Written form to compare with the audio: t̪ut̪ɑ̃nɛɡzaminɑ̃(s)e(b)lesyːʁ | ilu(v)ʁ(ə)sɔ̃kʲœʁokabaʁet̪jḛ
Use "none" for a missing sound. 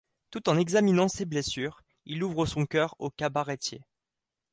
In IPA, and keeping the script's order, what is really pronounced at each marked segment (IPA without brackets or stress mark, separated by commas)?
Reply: s, b, v, ə